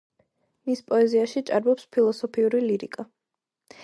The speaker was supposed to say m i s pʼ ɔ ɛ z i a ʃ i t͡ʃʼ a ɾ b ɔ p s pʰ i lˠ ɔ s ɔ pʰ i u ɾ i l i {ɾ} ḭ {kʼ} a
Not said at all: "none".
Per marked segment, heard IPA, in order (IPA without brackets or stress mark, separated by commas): ɾ, kʼ